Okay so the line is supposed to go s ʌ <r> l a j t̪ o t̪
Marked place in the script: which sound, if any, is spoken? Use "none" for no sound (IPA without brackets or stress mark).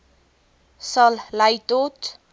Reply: l